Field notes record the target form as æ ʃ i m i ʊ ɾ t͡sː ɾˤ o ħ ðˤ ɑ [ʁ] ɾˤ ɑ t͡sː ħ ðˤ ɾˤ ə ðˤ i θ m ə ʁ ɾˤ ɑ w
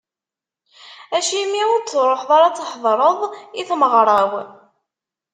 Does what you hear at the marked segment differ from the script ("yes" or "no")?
yes